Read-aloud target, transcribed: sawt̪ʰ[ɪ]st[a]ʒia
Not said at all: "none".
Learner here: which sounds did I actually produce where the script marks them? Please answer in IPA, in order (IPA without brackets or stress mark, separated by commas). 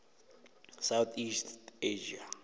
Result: i, e